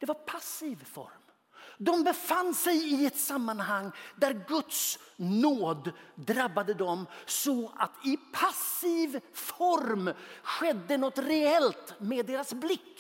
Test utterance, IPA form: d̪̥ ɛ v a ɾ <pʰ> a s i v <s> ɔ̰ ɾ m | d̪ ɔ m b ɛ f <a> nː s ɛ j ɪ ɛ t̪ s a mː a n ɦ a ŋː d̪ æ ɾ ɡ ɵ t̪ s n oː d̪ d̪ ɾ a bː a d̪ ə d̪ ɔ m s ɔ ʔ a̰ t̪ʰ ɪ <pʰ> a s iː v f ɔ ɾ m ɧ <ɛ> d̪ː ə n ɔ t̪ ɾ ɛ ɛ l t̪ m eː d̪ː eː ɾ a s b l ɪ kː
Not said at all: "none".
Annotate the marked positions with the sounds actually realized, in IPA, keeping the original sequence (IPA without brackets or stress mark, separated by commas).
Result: pʰ, f, a, pʰ, ɛ